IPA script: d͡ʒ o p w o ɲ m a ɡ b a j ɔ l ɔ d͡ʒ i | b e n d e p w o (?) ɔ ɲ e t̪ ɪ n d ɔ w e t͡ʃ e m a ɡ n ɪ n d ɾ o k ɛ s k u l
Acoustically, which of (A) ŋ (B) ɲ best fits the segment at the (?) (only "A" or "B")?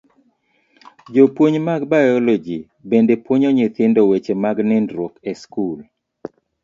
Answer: B